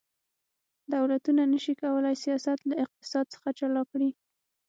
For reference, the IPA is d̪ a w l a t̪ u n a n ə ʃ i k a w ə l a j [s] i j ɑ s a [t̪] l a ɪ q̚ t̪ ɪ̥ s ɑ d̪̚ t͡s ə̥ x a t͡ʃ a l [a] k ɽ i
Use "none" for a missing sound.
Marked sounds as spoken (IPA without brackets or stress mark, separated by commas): s, t̪, ɑ